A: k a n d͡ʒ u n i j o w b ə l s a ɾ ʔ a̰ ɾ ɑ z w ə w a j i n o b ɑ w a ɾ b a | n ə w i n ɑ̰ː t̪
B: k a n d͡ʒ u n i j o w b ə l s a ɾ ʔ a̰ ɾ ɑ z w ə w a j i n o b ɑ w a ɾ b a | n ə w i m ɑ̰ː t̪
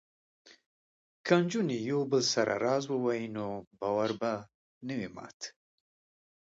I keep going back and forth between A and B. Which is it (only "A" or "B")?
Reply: B